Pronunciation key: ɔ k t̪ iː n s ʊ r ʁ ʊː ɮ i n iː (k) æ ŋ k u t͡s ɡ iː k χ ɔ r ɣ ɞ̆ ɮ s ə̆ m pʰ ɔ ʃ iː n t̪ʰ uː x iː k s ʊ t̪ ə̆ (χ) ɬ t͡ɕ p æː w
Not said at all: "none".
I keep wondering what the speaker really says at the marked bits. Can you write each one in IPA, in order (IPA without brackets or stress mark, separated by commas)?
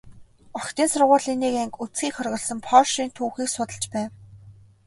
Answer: k, none